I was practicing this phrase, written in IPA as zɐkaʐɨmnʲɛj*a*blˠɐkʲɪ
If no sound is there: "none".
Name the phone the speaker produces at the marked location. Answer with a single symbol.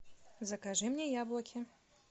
a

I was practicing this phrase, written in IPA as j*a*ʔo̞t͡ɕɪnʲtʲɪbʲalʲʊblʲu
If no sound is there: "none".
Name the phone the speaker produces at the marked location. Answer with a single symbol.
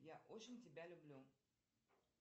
a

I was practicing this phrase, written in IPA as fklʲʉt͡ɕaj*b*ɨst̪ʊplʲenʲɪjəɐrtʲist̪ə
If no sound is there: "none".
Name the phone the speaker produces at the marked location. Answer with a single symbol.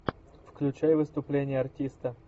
v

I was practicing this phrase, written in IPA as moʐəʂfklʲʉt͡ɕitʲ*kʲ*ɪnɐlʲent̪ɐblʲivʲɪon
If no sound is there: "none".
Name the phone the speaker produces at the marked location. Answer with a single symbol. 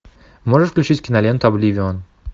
kʲ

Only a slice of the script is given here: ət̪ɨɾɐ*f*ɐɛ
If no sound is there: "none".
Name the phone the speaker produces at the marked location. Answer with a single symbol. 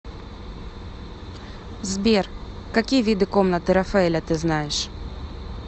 f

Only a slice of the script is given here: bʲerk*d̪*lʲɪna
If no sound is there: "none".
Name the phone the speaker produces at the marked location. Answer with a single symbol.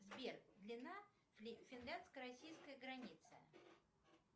d̪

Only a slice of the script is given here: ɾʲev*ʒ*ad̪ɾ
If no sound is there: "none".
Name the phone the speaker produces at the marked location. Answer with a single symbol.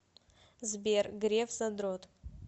z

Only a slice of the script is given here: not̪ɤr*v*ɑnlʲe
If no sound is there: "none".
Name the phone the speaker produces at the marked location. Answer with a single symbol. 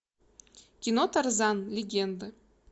z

